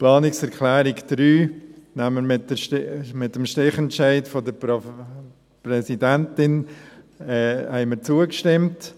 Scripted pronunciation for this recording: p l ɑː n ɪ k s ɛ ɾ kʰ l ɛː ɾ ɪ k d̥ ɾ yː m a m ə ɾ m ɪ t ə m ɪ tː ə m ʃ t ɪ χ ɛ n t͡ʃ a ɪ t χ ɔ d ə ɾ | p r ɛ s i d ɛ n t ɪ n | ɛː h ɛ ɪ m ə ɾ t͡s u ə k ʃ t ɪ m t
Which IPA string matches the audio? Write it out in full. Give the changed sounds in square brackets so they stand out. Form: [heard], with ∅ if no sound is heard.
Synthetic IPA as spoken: p l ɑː n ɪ k s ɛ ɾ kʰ l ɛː ɾ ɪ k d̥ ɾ yː [n] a m ə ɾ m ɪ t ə m ɪ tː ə m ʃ t ɪ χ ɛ n t͡ʃ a ɪ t [f] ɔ d ə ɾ | p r ɛ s i d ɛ n t ɪ n | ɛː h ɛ ɪ m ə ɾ t͡s u ə k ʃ t ɪ m t